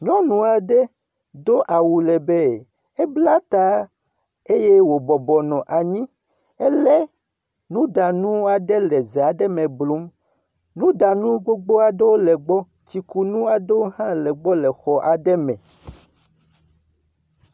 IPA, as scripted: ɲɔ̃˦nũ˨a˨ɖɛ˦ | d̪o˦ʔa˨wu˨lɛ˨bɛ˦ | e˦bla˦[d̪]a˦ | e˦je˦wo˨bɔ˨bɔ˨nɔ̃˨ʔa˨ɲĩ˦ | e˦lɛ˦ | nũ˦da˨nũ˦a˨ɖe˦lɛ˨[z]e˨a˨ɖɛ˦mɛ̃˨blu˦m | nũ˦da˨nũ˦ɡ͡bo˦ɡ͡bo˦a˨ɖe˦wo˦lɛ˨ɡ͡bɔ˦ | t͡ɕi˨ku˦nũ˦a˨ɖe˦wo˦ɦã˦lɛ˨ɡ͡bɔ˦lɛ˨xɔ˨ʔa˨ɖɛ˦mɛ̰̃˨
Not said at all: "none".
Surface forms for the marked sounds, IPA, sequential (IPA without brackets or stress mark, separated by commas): t̪, z